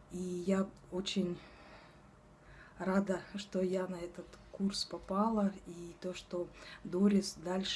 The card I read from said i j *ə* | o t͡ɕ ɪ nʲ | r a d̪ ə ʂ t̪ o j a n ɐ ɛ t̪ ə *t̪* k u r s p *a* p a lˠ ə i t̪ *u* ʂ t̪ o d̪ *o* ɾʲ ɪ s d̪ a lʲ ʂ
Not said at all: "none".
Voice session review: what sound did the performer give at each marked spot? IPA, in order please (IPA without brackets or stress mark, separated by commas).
a, t̪, ɐ, o, o